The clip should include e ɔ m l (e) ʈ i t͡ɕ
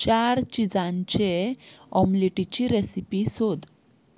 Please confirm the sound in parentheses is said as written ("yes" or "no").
no